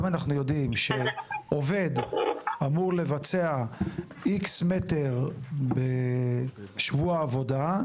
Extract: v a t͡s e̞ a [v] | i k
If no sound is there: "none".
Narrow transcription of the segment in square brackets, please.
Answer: none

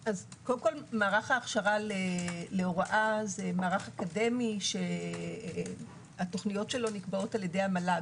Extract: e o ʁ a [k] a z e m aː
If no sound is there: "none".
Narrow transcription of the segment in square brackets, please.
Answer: ʔ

